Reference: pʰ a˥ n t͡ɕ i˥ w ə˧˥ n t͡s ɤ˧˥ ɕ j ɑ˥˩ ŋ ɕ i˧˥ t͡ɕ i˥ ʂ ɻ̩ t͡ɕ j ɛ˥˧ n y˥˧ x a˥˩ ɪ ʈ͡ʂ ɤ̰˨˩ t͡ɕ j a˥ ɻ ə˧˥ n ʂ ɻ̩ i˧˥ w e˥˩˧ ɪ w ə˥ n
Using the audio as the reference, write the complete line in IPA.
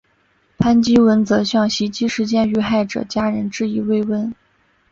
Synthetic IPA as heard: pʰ a˥ n t͡ɕ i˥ w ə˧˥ n t͡s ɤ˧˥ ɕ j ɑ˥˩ ŋ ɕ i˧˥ t͡ɕ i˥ ʂ ɻ̩ t͡ɕ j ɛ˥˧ n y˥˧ x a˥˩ ɪ ʈ͡ʂ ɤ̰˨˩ t͡ɕ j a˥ ɻ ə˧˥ n ʈ͡ʂ ɻ̩ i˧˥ w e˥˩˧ ɪ w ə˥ n